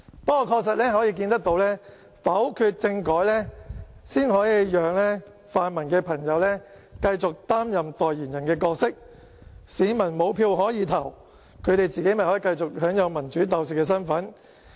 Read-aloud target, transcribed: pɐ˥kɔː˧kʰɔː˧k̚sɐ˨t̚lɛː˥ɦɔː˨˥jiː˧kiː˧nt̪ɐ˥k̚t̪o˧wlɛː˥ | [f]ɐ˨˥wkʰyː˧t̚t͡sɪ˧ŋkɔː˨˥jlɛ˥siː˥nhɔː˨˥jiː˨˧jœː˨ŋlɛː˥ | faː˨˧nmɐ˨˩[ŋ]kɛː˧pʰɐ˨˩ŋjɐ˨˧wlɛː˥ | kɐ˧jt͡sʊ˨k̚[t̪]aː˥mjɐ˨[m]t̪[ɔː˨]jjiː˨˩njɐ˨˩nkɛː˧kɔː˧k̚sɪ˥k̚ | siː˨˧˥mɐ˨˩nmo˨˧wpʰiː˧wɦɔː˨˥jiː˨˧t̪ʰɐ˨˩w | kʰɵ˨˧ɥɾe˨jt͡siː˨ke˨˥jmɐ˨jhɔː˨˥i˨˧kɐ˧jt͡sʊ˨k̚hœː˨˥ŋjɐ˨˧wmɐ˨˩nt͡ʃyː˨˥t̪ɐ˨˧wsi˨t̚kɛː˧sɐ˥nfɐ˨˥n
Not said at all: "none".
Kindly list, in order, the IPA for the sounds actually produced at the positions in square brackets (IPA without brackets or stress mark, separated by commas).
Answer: f, n, t̪, m, ɔː˨